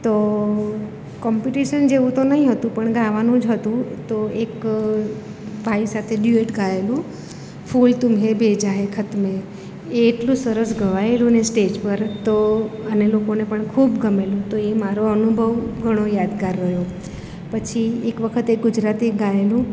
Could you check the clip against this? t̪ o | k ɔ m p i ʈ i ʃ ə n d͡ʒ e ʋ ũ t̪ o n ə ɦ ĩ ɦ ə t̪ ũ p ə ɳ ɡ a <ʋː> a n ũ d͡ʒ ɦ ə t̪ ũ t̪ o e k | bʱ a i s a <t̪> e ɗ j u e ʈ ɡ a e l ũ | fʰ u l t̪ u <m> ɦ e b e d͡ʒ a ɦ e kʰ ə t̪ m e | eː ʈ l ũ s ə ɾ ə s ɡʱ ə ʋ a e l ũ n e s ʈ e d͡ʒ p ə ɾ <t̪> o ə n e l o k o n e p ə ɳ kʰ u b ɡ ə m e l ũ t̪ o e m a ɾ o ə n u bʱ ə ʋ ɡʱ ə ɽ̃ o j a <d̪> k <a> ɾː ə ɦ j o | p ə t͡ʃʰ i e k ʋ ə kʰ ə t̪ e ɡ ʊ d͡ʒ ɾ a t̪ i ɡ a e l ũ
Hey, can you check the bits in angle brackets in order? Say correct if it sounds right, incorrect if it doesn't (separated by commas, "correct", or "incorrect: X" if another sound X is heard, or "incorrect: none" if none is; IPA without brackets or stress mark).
incorrect: ʋ, incorrect: t̪ʰ, correct, correct, correct, correct